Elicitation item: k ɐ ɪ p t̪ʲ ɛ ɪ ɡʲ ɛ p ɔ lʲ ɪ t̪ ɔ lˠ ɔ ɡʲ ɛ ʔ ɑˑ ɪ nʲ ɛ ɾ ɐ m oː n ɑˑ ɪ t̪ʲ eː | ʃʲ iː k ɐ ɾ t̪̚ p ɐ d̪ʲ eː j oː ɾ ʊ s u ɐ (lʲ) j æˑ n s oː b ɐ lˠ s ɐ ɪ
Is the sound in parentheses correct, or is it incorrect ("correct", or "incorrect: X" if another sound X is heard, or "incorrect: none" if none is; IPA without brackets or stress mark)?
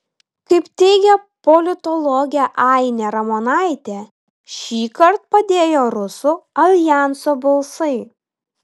correct